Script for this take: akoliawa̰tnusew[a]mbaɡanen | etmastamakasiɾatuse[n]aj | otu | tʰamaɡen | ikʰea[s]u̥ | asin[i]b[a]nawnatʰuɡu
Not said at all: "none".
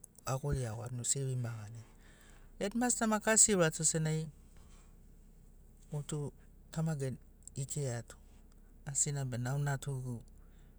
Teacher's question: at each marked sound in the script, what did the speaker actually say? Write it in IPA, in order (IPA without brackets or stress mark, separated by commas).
i, n, t, a, e